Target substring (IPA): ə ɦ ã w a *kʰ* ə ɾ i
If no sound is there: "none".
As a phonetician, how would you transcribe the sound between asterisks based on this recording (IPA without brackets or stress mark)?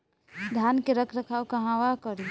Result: k